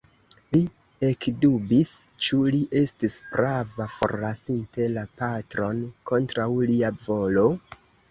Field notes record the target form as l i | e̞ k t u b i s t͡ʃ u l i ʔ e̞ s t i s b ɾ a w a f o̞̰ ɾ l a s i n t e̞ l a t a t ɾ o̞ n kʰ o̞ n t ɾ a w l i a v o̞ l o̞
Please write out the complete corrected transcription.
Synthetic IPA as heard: l i | e̞ k d u b i s t͡ʃ u l i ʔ e̞ s t i s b ɾ a v a f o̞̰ ɾ l a s i n t e̞ l a p a t ɾ o̞ n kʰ o̞ n t ɾ a w l i a v o̞ l o̞

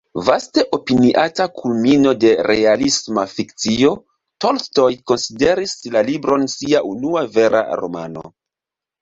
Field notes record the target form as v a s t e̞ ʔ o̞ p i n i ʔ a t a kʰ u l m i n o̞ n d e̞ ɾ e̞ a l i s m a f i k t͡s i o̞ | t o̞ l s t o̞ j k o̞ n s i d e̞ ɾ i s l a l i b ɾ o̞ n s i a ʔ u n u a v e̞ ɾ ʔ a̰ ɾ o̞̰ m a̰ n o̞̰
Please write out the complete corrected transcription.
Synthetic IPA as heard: v a s t e̞ ʔ o̞ p i n i ʔ a t a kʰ u l m i n o̞ d e̞ ɾ e̞ a l i s m a f i k t͡s i o̞ | t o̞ l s t o̞ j k o̞ n s i d e̞ ɾ i s l a l i b ɾ o̞ n s i a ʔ u n u a v e̞ ɾ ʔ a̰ ɾ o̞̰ m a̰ n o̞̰

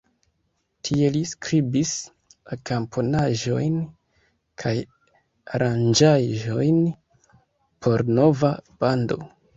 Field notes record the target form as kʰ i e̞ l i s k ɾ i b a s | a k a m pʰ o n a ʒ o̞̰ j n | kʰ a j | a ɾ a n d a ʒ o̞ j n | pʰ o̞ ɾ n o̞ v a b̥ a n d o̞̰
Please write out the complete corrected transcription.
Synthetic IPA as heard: tʰ i e̞ l i s k ɾ i b i s | a k a m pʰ o n a ʒ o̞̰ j n | kʰ a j | a ɾ a n d͡ʒ a ʒ o̞ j n | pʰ o̞ ɾ n o̞ v a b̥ a n d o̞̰

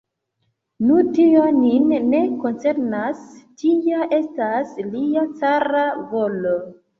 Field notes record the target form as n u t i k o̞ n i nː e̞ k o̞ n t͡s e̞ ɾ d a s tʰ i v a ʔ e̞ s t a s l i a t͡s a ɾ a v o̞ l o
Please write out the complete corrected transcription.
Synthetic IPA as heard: n u t i o̞ n i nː e̞ k o̞ n t͡s e̞ ɾ n a s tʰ i a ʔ e̞ s t a s l i a t͡s a ɾ a v o̞ l o

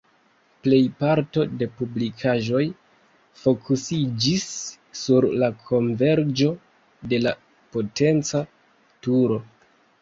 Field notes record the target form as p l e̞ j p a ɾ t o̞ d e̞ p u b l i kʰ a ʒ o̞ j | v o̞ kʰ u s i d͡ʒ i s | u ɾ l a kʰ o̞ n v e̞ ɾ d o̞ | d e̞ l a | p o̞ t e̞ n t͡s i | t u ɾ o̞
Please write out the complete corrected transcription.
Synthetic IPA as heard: p l e̞ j p a ɾ t o̞ d e̞ p u b l i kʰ a ʒ o̞ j | f o̞ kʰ u s i d͡ʒ i sː | u ɾ l a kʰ o̞ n v e̞ ɾ d͡ʒ o̞ | d e̞ l a | p o̞ t e̞ n t͡s a | t u ɾ o̞

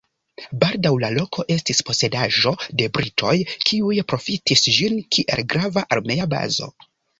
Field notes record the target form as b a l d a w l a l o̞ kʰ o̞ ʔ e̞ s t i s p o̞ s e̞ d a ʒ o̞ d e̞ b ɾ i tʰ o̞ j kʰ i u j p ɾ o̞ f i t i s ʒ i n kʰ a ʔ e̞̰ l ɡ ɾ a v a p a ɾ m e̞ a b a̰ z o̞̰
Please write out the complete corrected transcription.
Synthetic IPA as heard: b a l d a w l a l o̞ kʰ o̞ ʔ e̞ s t i s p o̞ s e̞ d a ʒ o̞ d e̞ b ɾ i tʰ o̞ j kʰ i u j p ɾ o̞ f i t i s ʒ i n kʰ i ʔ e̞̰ l ɡ ɾ a v a ʔ a ɾ m e̞ a b a̰ z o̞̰

